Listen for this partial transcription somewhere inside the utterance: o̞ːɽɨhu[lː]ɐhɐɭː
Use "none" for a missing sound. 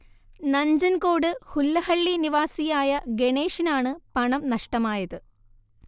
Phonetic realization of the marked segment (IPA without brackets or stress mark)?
lː